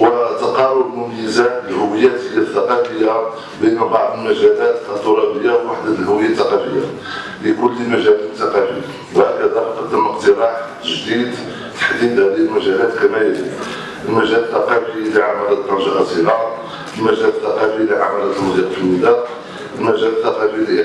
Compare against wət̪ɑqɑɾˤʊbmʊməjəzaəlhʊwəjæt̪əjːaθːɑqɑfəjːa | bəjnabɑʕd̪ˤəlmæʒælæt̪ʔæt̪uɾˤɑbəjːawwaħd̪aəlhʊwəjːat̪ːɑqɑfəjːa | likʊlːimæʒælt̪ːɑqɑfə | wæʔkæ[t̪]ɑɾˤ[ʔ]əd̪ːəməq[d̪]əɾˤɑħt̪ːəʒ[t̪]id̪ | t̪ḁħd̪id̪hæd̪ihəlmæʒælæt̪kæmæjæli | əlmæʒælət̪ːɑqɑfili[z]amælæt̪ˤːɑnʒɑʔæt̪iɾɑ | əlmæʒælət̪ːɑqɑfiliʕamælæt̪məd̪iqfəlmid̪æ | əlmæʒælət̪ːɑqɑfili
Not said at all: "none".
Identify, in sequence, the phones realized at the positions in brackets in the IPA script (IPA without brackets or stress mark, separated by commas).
d̪, q, t̪, d̪, ʕ